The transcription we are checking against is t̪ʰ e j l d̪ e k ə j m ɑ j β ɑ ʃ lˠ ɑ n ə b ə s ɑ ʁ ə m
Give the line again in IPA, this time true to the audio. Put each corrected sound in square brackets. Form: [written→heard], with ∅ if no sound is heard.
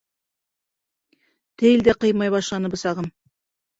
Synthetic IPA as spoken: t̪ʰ e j l d̪ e [k→q] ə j m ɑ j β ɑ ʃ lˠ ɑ n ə b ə s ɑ ʁ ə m